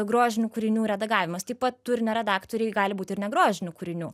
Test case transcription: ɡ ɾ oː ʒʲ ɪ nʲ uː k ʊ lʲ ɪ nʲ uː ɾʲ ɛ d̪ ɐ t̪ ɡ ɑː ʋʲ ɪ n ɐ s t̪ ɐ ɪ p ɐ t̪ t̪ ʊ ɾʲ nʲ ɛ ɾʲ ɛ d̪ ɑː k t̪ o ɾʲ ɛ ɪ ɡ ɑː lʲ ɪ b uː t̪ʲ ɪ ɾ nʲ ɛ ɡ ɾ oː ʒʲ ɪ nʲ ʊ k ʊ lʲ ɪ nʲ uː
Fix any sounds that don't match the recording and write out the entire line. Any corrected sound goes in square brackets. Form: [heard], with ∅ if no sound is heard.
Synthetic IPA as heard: ɡ ɾ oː ʒʲ ɪ nʲ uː k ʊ [ɾʲ] ɪ nʲ uː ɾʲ ɛ d̪ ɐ [∅] ɡ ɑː ʋʲ ɪ [m] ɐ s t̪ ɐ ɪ p ɐ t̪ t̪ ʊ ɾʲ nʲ ɛ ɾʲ ɛ d̪ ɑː k t̪ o ɾʲ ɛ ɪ ɡ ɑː lʲ ɪ b uː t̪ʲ ɪ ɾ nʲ ɛ ɡ ɾ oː ʒʲ ɪ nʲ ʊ k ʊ [ɾʲ] ɪ nʲ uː